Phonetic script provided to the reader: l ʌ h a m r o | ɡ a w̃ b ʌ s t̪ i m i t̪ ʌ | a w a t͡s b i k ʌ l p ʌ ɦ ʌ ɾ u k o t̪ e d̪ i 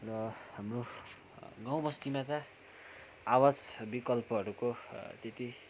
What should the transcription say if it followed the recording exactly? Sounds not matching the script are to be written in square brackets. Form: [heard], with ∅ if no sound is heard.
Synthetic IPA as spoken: [r] ʌ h a m r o | ɡ a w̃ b ʌ s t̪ i m [a] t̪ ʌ | a w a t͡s b i k ʌ l p ʌ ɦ ʌ ɾ u k o t̪ e [t̪] i